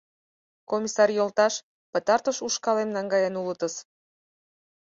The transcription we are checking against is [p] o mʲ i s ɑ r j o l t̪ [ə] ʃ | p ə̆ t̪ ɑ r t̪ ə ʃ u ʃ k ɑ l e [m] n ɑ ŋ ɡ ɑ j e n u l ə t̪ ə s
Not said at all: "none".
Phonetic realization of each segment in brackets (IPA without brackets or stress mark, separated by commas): k, ɑ, m